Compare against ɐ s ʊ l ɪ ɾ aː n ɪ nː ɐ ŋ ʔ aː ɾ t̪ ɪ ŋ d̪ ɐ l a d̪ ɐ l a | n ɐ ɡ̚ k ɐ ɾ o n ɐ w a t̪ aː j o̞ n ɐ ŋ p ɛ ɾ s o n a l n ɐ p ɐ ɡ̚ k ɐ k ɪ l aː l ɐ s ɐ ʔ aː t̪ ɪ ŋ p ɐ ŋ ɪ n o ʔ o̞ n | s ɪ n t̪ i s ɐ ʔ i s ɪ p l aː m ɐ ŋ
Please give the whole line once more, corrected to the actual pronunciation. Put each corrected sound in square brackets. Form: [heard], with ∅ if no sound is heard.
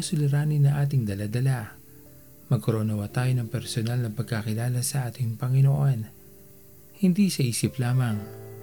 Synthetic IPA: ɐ s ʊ l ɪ ɾ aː n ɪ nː ɐ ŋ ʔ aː [∅] t̪ ɪ ŋ d̪ ɐ l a d̪ ɐ l a | [m] ɐ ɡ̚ k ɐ ɾ o n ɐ w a t̪ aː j o̞ n ɐ ŋ p ɛ ɾ s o n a l n ɐ p ɐ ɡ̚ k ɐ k ɪ l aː l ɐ s ɐ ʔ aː t̪ ɪ ŋ p ɐ ŋ ɪ n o ʔ o̞ n | [h] ɪ n [d̪] i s ɐ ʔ [iː] s ɪ p l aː m ɐ ŋ